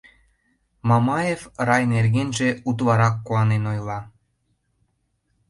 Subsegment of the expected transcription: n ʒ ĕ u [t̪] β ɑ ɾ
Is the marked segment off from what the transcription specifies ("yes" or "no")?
no